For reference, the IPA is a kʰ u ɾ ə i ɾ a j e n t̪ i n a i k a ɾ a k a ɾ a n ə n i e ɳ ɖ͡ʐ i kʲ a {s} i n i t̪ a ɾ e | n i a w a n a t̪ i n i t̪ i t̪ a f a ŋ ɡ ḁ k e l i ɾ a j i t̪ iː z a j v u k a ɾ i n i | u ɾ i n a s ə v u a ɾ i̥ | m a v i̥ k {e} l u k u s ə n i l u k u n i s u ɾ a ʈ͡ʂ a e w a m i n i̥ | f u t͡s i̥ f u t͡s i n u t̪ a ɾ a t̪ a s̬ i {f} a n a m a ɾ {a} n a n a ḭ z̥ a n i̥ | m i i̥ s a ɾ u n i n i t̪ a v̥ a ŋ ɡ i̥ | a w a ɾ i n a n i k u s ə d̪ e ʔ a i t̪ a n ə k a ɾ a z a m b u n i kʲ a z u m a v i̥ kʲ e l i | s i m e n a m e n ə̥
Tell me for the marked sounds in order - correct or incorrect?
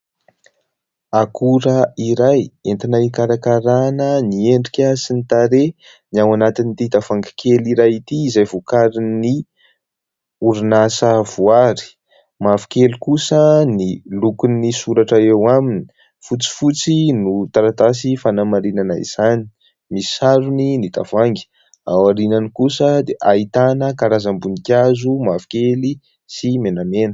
correct, correct, correct, incorrect

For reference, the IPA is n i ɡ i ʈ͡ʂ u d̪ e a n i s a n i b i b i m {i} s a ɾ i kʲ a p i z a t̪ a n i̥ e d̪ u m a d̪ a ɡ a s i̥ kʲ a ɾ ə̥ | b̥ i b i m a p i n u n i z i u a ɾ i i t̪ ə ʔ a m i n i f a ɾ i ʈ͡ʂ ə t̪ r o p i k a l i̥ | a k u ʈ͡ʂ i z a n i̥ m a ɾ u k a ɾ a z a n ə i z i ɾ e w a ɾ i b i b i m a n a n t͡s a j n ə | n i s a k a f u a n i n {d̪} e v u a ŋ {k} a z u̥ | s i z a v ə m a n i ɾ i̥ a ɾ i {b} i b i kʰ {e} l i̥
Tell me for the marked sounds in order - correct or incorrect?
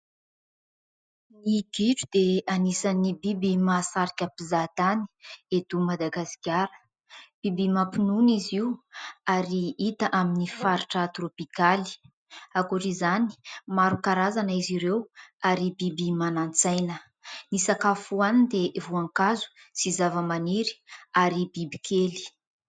incorrect, correct, correct, correct, correct

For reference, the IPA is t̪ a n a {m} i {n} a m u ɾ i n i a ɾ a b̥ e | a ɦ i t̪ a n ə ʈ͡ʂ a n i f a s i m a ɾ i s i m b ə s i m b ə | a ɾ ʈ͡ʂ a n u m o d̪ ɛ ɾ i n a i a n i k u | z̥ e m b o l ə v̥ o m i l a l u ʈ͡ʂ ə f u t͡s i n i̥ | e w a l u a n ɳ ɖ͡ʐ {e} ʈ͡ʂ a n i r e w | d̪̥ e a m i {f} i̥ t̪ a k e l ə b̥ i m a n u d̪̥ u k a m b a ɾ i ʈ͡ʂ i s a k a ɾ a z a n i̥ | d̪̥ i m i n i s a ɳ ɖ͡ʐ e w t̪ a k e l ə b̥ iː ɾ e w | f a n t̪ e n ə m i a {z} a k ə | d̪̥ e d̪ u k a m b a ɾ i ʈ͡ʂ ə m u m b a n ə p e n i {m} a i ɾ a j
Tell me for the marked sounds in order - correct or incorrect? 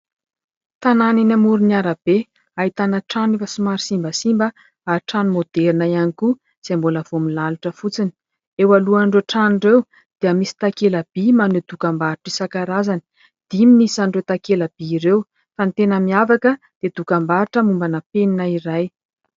incorrect, correct, correct, incorrect, incorrect, incorrect

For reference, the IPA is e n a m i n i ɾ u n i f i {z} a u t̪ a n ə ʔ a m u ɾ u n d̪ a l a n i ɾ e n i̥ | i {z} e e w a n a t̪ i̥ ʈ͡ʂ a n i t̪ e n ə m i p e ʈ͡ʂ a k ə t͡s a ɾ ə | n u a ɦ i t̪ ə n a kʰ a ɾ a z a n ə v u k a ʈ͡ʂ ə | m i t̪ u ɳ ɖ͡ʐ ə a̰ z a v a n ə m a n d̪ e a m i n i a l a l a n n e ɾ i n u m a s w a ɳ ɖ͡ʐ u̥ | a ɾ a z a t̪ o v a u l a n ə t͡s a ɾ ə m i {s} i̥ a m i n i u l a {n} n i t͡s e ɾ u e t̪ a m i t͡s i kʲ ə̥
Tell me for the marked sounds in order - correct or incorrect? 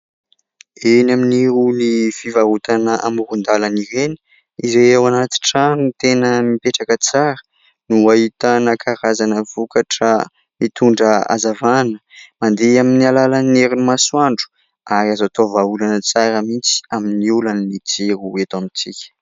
incorrect, correct, incorrect, correct

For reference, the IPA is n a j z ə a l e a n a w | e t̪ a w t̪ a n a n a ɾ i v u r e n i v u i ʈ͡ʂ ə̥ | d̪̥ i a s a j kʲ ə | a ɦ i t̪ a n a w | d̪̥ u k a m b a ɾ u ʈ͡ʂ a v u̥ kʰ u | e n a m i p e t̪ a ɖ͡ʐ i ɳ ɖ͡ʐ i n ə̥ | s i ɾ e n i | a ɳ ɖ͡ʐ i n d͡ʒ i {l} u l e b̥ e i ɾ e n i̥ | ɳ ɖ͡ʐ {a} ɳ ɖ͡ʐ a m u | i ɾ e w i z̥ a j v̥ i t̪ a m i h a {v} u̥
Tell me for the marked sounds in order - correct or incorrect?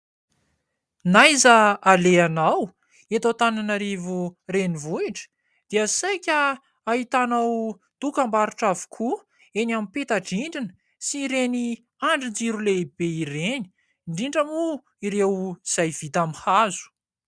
incorrect, incorrect, incorrect

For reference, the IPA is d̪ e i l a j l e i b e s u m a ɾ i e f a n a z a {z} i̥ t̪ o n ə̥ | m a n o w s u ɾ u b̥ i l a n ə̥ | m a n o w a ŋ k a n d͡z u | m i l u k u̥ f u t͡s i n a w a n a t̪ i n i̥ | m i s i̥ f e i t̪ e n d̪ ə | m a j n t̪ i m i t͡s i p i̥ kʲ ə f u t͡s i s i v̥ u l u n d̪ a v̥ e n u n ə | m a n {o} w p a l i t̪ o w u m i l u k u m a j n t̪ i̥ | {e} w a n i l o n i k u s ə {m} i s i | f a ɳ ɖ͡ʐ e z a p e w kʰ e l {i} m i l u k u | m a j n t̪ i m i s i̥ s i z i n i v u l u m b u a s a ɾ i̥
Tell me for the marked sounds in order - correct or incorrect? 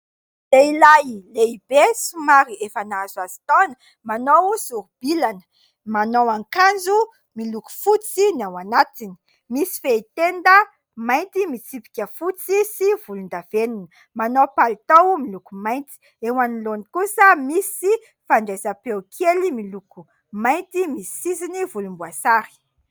correct, correct, correct, correct, correct

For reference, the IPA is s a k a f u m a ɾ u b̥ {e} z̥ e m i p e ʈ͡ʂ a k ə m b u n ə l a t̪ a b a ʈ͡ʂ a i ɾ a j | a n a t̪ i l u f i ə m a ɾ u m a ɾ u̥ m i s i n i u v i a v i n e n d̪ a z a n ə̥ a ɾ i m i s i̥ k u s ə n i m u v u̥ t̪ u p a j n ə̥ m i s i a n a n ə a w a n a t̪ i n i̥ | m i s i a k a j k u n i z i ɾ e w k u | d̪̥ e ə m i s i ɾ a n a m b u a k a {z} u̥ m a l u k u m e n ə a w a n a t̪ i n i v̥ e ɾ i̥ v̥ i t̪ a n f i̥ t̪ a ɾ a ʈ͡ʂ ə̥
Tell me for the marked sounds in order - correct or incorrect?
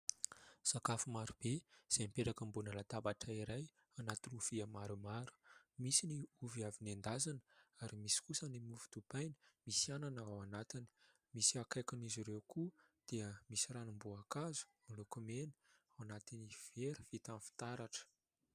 correct, correct

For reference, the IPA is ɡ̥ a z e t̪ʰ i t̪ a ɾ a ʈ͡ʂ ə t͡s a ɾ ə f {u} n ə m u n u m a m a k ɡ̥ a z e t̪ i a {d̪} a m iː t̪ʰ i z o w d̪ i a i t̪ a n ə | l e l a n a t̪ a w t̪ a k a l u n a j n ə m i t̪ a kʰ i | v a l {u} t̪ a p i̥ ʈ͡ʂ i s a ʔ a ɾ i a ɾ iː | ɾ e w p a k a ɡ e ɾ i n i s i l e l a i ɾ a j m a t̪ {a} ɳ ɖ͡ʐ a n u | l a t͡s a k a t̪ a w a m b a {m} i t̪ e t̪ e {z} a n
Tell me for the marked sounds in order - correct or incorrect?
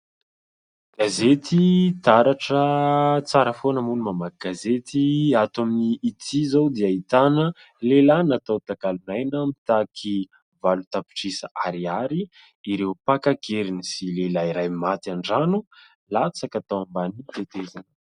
incorrect, incorrect, correct, correct, incorrect, correct

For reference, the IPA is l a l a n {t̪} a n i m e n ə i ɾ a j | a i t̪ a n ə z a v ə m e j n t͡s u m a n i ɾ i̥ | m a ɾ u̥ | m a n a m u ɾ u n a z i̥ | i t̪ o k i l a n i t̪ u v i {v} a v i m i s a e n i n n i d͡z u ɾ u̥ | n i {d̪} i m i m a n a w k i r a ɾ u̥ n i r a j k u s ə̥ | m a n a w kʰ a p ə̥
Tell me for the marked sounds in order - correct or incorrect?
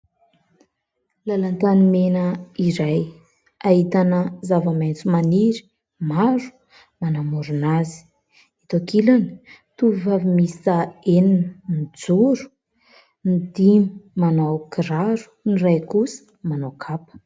correct, correct, correct

